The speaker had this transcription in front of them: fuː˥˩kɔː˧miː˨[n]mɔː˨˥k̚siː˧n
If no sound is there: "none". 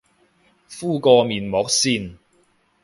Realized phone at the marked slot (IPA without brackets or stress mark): n